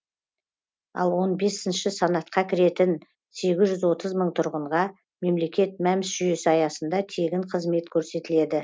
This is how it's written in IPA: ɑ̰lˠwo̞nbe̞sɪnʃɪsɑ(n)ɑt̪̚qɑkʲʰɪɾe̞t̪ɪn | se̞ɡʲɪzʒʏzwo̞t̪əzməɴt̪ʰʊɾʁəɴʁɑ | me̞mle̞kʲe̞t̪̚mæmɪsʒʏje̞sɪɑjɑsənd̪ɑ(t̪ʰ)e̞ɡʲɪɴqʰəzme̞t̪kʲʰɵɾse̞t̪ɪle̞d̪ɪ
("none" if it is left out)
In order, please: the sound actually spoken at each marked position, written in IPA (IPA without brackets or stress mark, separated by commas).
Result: n, t̪ʰ